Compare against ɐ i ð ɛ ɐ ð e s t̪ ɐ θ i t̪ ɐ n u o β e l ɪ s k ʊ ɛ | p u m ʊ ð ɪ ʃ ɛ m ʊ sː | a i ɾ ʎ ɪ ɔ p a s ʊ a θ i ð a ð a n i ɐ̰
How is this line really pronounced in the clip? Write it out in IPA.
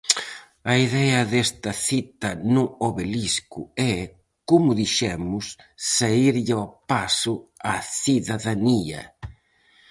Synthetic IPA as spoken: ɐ i ð ɛ ɐ ð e s t̪ ɐ θ i t̪ ɐ n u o β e l i s k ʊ ɛ | k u m ʊ ð i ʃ ɛ m ʊ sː | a i ɾ ʎ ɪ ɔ p a s ʊ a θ i ð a ð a n i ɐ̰